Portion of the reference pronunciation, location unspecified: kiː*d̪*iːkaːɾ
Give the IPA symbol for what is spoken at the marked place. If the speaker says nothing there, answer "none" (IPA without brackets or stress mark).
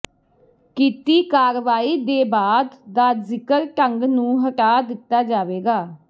t̪